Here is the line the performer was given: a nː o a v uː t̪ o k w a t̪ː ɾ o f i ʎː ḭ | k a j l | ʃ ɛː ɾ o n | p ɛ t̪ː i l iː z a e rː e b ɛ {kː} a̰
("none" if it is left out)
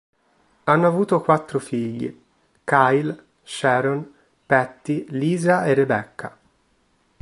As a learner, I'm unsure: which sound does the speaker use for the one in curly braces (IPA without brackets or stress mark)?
kː